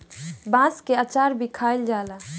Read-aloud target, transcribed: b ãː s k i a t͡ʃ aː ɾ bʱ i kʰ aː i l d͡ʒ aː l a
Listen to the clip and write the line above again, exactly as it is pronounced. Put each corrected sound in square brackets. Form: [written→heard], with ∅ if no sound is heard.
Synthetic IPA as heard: b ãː s k [i→e] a t͡ʃ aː ɾ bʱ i kʰ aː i l d͡ʒ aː l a

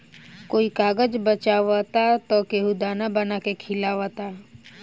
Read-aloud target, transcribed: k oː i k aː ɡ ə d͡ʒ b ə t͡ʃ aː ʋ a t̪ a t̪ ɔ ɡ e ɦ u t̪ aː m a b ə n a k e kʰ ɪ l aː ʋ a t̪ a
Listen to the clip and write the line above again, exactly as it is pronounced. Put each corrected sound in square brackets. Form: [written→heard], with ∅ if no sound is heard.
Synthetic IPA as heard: k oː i k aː ɡ ə d͡ʒ b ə t͡ʃ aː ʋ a t̪ a t̪ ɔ [ɡ→k] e ɦ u [t̪→d̪] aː [m→n] a b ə n a k e kʰ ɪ l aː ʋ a t̪ a

